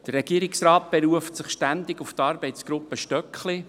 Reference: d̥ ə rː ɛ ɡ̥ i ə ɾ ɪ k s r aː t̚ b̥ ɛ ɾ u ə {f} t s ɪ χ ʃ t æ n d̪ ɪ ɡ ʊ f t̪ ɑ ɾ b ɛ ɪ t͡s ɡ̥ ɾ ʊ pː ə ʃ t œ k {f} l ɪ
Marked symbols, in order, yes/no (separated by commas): yes, no